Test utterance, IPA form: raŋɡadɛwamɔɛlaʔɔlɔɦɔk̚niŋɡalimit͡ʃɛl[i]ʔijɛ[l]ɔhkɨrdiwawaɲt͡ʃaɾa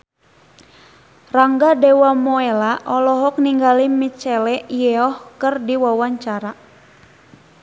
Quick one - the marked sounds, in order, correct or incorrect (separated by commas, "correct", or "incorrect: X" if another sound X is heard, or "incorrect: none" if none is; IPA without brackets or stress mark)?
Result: incorrect: ɛ, incorrect: none